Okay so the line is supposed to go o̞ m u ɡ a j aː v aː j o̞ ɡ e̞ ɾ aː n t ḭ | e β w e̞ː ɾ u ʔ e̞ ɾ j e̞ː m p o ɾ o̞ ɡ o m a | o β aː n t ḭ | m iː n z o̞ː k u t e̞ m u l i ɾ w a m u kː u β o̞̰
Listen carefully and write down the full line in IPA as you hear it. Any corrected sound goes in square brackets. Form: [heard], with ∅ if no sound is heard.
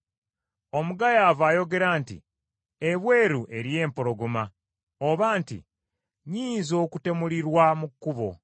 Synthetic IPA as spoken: o̞ m u ɡ a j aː v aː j o̞ ɡ e̞ ɾ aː n t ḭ | e β w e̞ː ɾ u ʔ e̞ ɾ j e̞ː m p o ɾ o̞ ɡ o m a | o β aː n t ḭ | [ɲ] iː n z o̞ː k u t e̞ m u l i ɾ w a m u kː u β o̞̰